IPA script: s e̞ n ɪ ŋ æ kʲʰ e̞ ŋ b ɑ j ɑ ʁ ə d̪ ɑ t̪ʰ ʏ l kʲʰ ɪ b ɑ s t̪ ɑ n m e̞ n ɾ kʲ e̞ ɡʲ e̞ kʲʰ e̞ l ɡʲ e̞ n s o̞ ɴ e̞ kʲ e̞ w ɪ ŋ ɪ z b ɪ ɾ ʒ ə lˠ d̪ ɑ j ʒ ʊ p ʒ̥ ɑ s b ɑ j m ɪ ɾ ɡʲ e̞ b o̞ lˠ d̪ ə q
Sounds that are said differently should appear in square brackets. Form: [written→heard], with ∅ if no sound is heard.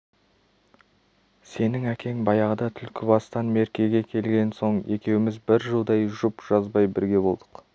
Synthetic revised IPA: s e̞ n ɪ ŋ æ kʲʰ e̞ ŋ b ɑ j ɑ ʁ ə d̪ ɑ t̪ʰ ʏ l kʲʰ ɪ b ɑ s t̪ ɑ n m e̞ [n→∅] ɾ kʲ e̞ ɡʲ e̞ kʲʰ e̞ l ɡʲ e̞ n s o̞ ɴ e̞ kʲ e̞ w ɪ [ŋ→m] ɪ z b ɪ ɾ ʒ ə lˠ d̪ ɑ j ʒ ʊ p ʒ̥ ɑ [s→z] b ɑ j [m→b] ɪ ɾ ɡʲ e̞ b o̞ lˠ d̪ ə q